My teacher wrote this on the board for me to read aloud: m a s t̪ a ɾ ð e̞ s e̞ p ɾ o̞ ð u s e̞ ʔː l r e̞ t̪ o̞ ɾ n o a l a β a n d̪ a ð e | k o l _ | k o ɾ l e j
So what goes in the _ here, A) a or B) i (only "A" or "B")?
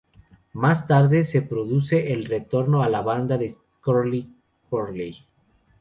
B